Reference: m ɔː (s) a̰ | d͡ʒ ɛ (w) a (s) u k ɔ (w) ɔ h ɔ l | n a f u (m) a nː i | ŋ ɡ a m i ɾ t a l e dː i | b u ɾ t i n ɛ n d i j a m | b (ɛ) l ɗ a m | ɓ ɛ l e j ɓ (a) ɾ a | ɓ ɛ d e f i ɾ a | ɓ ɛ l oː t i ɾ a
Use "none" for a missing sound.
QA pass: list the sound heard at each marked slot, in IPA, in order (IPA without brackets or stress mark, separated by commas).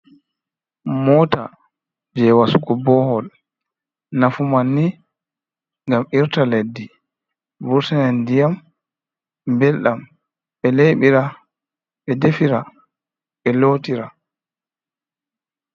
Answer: t, w, s, b, m, ɛ, i